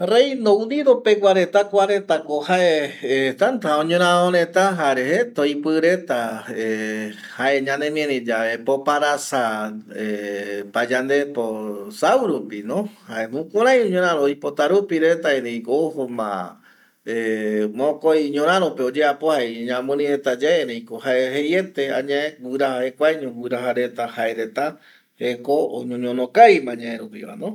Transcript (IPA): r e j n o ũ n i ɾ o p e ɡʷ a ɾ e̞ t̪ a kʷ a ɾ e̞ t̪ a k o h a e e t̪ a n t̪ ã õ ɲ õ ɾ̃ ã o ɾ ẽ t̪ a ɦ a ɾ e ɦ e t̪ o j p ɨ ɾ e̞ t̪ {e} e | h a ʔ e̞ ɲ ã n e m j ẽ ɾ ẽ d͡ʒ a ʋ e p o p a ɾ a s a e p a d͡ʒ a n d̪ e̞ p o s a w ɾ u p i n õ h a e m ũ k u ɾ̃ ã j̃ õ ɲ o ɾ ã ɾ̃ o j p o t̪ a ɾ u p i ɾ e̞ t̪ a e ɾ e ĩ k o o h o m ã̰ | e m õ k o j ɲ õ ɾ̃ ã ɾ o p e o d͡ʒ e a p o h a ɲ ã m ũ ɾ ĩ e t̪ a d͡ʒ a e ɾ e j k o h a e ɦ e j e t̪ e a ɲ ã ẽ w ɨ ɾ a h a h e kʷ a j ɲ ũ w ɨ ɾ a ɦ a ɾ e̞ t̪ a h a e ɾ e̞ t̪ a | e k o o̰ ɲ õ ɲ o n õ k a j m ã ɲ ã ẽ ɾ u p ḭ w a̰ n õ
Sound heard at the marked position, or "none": a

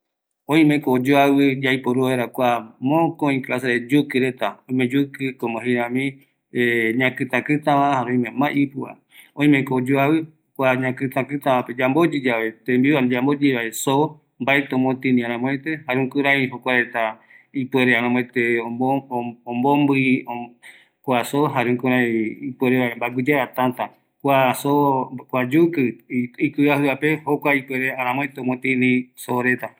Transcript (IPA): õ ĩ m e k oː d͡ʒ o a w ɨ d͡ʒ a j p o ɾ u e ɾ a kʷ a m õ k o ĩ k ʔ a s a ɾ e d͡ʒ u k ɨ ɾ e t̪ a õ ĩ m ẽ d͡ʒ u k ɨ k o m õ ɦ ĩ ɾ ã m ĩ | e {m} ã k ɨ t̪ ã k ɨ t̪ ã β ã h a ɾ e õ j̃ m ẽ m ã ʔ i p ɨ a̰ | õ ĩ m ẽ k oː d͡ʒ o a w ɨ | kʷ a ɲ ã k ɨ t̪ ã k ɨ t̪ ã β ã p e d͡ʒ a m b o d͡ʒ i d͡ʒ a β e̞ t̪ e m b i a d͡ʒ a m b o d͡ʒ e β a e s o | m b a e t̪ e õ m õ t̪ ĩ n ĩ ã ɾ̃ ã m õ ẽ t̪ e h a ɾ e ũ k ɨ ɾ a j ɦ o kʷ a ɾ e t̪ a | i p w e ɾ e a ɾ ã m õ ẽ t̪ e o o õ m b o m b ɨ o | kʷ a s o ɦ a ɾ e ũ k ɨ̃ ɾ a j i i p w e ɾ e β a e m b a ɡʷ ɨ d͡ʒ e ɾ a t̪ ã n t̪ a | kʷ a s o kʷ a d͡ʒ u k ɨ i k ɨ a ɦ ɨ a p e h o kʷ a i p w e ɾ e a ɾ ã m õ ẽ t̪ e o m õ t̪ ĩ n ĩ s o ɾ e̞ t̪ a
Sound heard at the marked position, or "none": ɲ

